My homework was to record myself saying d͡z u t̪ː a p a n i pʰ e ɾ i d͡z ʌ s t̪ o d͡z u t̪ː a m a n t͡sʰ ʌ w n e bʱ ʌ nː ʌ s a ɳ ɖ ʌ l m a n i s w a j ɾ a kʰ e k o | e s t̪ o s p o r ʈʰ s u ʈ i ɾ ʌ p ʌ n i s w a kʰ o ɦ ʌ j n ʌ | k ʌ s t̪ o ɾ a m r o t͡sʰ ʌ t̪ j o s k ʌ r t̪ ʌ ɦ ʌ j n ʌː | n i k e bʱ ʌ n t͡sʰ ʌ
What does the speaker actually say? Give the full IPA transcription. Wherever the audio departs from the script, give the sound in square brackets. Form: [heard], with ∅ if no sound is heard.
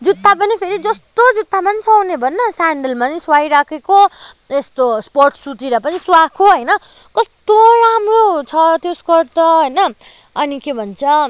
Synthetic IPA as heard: d͡z u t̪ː a p [ʌ] n i pʰ e ɾ i d͡z ʌ s t̪ o d͡z u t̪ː a m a n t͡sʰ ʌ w n e bʱ ʌ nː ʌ s a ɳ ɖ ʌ l m a n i s w a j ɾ a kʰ e k o | e s t̪ o s p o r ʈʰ s u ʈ i ɾ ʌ p ʌ n i s w a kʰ o ɦ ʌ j n ʌ | k ʌ s t̪ o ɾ a m r o t͡sʰ ʌ t̪ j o s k ʌ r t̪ ʌ ɦ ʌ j n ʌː | n i k e bʱ ʌ n t͡sʰ ʌ